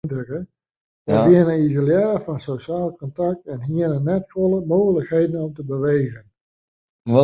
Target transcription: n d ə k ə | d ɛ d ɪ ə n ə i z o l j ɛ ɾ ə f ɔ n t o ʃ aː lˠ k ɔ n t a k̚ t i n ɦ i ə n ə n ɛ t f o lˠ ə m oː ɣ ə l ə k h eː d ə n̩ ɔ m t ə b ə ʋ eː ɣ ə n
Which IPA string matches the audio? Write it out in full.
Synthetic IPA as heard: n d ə k ə | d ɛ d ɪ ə n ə i z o l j ɛ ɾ ə f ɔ n s o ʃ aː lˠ k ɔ n t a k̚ t ɛ n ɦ i ə n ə n ɛ t f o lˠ ə m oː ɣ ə l ə k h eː d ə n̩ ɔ m t ə b ə ʋ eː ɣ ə n